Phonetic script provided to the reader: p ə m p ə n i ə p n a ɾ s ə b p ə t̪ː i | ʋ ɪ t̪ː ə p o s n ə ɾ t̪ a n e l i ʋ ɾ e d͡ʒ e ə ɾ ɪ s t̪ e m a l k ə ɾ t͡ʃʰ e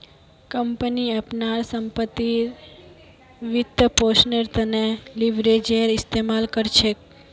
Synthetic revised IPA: k ə m p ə n i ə p n a ɾ s ə m p ə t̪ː i | ʋ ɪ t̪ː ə p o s n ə ɾ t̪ ə n e l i ʋ ɾ e d͡ʒ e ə ɾ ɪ s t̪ e m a l k ə ɾ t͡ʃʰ e